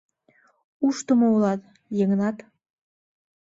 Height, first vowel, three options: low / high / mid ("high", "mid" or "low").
high